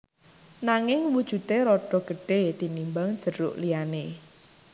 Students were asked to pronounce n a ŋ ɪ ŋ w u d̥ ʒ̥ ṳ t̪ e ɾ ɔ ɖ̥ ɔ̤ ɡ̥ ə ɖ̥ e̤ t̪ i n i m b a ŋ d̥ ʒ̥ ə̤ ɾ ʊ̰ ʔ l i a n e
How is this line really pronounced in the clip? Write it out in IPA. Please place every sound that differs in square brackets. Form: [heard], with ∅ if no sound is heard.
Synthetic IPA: n a ŋ ɪ ŋ w u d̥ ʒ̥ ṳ t̪ e ɾ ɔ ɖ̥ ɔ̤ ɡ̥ ə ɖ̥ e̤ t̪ i n i m b a ŋ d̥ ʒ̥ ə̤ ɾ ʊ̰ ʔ l i a n e